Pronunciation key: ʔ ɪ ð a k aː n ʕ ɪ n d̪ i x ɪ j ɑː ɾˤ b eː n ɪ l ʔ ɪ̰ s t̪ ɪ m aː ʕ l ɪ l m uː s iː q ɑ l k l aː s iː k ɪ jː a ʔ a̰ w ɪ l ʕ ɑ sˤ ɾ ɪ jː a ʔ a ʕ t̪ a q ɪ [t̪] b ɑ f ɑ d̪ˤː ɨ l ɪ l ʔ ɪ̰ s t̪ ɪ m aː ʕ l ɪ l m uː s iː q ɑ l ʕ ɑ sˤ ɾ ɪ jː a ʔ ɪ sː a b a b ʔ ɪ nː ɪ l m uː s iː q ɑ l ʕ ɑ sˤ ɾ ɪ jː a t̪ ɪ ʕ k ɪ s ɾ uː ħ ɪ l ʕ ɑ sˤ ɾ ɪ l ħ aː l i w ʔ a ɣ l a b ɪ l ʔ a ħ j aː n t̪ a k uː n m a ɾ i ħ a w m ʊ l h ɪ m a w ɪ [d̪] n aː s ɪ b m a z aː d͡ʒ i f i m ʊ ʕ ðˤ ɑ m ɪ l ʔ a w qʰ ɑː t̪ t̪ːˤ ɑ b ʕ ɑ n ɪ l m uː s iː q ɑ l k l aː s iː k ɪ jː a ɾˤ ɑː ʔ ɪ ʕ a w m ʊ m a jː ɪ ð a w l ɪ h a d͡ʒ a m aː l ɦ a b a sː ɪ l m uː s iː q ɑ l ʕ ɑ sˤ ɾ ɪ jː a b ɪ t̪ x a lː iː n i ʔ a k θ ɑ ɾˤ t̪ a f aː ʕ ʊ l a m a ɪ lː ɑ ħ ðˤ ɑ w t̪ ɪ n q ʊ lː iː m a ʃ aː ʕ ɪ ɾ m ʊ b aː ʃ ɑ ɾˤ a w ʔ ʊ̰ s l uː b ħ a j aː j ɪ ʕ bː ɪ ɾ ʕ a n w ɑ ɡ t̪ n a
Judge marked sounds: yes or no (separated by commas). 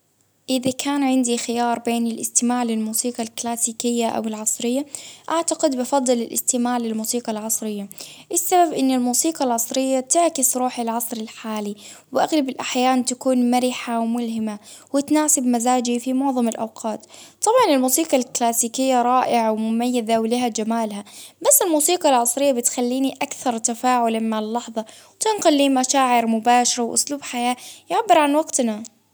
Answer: no, no